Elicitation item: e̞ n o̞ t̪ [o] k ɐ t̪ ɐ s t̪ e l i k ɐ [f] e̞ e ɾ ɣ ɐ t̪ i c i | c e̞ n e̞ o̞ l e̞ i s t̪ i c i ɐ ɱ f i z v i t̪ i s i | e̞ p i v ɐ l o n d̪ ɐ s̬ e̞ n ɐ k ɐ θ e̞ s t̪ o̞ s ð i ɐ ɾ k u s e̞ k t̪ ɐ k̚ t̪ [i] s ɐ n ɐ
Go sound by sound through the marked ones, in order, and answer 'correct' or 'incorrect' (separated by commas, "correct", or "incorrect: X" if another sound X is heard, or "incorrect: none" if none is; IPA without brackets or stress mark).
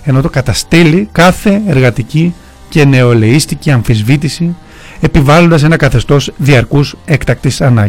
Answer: correct, incorrect: θ, correct